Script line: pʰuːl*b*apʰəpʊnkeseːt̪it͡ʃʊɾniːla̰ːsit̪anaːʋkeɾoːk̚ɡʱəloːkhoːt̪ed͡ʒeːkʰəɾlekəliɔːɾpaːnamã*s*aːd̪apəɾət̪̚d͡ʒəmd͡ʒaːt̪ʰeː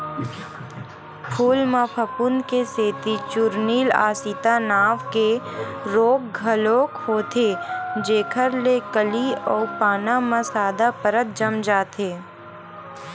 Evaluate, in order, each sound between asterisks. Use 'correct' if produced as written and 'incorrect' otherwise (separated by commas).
incorrect, correct